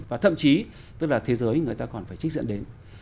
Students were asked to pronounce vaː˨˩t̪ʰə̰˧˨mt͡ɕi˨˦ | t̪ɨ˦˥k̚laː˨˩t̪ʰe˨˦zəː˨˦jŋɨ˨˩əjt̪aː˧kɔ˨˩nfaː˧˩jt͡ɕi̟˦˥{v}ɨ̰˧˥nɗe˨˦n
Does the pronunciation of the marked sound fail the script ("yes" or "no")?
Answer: yes